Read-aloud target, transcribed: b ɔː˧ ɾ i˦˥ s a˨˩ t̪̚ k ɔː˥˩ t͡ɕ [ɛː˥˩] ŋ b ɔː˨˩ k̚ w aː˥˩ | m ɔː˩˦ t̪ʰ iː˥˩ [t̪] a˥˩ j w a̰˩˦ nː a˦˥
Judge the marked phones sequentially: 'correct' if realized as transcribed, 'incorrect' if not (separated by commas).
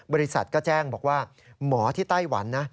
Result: correct, correct